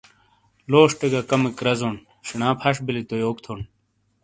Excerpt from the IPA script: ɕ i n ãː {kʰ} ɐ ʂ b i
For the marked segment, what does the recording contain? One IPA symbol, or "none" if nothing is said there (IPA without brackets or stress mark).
pʰ